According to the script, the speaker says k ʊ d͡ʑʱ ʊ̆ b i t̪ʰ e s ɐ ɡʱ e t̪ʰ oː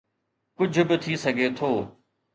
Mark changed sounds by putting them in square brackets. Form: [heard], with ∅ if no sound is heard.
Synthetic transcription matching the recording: k ʊ d͡ʑʱ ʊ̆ b [ɪ] t̪ʰ [i] s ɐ ɡʱ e t̪ʰ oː